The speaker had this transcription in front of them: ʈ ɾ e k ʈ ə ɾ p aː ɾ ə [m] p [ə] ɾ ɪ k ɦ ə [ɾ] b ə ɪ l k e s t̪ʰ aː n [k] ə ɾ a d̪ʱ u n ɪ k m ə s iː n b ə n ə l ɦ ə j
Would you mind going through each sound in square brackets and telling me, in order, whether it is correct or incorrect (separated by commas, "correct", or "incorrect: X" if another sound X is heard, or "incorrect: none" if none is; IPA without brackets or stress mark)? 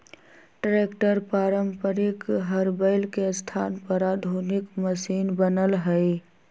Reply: correct, correct, correct, incorrect: p